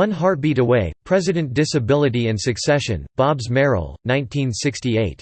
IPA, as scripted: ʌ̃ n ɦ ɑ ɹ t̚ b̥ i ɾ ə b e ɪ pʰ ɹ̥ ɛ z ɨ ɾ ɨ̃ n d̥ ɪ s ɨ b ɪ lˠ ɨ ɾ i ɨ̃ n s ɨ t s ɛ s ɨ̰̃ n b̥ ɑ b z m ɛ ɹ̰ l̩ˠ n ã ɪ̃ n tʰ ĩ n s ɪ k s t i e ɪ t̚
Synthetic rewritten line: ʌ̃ n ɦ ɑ ɹ t̚ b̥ i ɾ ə w e ɪ pʰ ɹ̥ ɛ z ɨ ɾ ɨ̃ n d̥ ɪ s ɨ b ɪ lˠ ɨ ɾ i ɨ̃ n s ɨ k s ɛ ʃ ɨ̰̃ n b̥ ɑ b z m ɛ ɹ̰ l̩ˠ n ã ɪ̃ n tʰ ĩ n s ɪ k s t i e ɪ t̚